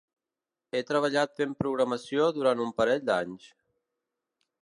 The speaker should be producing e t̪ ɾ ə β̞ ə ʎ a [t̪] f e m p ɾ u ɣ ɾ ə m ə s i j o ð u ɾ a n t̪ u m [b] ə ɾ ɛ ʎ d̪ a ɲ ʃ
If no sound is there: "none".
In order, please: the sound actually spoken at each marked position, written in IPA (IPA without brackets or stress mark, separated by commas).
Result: t̪, p